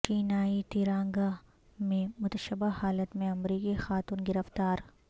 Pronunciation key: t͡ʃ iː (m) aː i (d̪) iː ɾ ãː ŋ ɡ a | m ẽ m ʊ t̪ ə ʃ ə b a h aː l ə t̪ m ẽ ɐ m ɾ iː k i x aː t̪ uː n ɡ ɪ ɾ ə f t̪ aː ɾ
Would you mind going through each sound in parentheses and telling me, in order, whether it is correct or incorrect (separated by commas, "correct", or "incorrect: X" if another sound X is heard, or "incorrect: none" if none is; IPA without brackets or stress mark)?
incorrect: n, incorrect: t̪